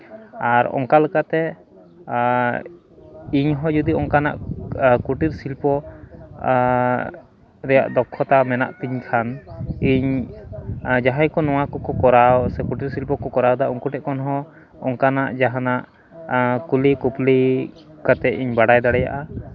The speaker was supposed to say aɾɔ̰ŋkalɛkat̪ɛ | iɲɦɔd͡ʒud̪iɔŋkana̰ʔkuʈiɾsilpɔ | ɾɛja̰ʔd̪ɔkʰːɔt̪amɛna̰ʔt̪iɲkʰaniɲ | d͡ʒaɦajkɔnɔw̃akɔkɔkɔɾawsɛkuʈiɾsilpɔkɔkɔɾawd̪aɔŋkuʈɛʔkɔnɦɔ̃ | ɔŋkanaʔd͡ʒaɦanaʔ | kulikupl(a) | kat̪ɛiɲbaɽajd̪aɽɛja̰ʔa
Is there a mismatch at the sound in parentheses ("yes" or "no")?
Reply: yes